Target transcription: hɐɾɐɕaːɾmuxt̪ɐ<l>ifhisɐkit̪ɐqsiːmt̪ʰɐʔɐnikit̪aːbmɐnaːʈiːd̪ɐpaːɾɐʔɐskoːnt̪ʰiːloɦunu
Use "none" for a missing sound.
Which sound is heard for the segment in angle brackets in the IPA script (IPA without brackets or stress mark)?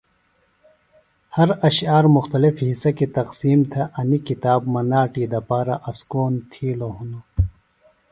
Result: l